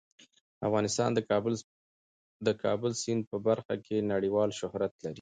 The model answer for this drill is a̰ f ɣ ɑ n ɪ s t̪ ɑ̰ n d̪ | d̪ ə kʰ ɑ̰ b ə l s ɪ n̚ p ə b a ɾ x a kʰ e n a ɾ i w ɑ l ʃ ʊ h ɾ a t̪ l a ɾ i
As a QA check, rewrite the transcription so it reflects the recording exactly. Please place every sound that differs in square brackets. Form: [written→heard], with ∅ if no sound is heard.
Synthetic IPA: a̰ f ɣ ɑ n ɪ s t̪ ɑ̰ n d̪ | d̪ ə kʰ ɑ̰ b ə l s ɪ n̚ p ə b a ɾ x a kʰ e n a [ɾ→ɽ] i w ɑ l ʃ ʊ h ɾ a t̪ l a ɾ i